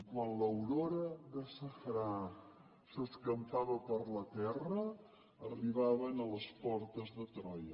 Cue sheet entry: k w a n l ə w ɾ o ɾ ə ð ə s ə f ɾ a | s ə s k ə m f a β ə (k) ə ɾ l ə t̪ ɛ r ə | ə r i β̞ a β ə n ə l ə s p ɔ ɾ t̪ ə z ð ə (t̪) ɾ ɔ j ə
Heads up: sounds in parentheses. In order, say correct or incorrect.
incorrect: p, correct

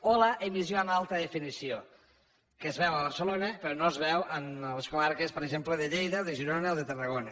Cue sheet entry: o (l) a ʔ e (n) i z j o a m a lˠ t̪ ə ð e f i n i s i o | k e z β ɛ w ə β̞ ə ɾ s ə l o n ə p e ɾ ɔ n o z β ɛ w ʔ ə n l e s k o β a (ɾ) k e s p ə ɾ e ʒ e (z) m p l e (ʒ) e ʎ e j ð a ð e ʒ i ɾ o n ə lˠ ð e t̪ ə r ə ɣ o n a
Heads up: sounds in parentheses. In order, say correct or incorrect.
correct, incorrect: m, correct, incorrect: none, incorrect: ð

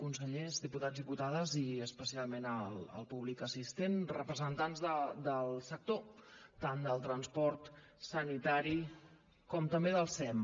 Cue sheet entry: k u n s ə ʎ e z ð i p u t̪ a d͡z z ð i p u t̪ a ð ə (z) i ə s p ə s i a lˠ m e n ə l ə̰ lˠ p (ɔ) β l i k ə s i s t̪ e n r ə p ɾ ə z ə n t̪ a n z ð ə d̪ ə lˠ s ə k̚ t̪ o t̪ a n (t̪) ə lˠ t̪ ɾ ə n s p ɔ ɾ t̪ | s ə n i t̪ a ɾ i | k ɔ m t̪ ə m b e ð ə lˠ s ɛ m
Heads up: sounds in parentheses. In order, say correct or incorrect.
correct, incorrect: u, incorrect: d̪

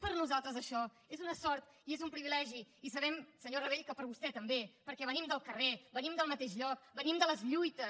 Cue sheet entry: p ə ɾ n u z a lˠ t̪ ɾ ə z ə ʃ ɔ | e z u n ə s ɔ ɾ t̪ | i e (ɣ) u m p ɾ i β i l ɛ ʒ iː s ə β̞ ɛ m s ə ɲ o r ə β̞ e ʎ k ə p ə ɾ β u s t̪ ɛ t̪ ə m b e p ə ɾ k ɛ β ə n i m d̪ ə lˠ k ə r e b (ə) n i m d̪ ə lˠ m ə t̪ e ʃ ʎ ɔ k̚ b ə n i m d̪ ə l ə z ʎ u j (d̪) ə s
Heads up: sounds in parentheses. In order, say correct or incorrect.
incorrect: z, correct, incorrect: t̪

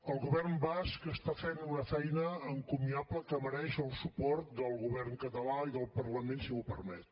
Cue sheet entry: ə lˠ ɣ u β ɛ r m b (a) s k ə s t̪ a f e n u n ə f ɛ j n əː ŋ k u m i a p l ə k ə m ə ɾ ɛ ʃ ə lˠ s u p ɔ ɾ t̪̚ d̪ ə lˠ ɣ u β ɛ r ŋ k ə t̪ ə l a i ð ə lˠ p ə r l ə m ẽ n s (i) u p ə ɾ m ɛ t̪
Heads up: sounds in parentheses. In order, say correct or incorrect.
correct, correct

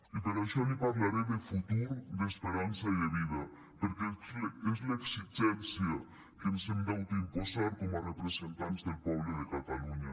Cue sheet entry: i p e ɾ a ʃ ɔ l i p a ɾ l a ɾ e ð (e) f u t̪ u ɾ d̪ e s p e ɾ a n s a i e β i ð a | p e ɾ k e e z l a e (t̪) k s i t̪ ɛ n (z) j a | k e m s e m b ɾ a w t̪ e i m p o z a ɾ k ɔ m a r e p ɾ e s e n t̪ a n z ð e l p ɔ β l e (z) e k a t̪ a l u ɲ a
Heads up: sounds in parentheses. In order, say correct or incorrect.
correct, incorrect: none, incorrect: s, incorrect: ð

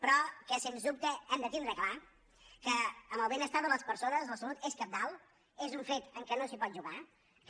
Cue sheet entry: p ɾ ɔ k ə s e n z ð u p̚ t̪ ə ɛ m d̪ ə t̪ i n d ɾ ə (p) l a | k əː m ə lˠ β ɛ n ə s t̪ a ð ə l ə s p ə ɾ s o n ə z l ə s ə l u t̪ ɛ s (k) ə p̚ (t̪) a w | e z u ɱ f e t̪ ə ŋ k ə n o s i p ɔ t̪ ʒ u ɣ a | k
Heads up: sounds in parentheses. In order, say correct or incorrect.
incorrect: k, correct, incorrect: d̪

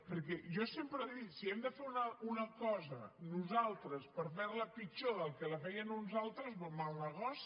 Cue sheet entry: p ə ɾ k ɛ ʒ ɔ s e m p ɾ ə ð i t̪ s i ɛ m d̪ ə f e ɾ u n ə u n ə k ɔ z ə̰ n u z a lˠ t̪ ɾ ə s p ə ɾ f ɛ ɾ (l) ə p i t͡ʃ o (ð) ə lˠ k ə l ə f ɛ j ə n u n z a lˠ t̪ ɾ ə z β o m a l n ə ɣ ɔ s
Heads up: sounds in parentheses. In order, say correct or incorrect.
correct, correct

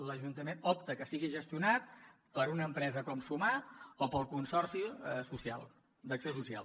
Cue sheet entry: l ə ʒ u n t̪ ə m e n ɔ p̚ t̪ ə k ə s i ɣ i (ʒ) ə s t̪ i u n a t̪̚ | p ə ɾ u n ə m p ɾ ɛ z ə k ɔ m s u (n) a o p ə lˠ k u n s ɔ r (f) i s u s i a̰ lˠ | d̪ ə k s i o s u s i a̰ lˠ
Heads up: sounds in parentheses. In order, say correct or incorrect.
correct, incorrect: m, incorrect: s

